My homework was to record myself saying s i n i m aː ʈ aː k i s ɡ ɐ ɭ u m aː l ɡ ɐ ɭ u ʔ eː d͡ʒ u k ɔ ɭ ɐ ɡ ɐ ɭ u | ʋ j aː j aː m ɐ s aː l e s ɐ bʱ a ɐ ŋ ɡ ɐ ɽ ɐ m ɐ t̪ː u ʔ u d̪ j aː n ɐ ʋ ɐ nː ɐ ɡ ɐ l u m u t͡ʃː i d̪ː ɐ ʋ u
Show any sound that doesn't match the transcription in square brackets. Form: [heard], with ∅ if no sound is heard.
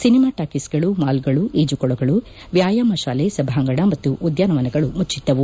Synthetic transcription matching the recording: s i n i m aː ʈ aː k i s ɡ ɐ ɭ u m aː l ɡ ɐ ɭ u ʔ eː d͡ʒ u k ɔ ɭ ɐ ɡ ɐ ɭ u | ʋ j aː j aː m ɐ [ʃ] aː l e s ɐ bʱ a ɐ ŋ ɡ ɐ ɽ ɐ m ɐ t̪ː u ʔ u d̪ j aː n ɐ ʋ ɐ [n] ɐ ɡ ɐ [ɭ] u m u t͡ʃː i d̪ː ɐ ʋ u